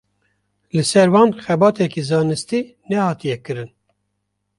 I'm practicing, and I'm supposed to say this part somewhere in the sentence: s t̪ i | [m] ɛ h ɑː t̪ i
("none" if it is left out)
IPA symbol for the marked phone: n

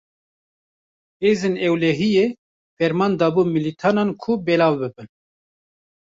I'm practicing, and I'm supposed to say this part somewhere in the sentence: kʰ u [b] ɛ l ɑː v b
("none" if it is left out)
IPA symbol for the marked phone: b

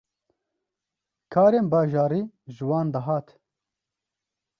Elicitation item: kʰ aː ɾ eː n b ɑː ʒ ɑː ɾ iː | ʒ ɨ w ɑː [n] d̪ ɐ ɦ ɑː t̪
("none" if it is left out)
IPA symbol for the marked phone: n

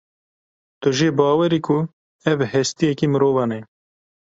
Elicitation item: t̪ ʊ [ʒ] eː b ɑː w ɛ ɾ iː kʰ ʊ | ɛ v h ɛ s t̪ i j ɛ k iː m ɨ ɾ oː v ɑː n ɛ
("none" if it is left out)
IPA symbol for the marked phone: ʒ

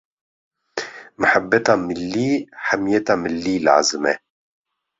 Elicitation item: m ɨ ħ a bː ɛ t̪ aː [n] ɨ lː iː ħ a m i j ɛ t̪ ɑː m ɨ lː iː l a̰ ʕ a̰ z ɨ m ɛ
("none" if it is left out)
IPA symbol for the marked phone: m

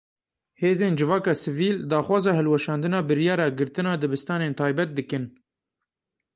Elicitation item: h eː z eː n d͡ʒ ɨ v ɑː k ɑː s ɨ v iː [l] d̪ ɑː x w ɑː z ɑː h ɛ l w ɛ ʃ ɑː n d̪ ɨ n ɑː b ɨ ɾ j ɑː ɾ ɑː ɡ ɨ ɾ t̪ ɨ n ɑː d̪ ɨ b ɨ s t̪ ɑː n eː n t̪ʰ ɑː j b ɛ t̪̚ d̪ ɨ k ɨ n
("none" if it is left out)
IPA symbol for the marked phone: l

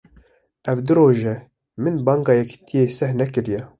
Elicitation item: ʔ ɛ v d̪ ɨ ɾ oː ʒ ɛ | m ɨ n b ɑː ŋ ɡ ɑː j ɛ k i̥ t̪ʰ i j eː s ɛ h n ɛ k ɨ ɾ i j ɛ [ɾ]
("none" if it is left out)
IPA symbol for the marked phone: none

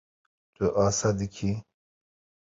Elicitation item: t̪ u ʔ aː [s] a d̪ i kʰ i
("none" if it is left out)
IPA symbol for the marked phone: s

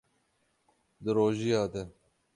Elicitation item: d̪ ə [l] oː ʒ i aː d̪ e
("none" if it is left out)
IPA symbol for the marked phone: ɾ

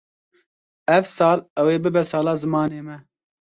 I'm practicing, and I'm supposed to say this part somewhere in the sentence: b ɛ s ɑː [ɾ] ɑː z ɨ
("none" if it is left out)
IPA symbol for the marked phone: l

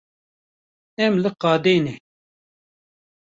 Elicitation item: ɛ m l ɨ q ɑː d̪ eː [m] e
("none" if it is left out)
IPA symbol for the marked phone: n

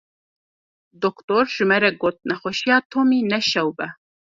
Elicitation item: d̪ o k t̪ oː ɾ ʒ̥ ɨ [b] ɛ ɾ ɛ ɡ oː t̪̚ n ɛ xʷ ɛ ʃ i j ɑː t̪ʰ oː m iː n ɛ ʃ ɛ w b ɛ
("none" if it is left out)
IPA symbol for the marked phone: m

